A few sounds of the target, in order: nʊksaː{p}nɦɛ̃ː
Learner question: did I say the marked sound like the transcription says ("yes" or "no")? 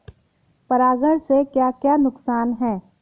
no